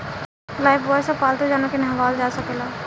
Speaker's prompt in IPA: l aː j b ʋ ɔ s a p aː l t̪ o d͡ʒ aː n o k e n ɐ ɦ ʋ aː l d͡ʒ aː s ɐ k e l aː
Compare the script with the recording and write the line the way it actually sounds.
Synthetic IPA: l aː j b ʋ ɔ s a p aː l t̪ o d͡ʒ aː n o k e n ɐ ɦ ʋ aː l d͡ʒ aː s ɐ k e l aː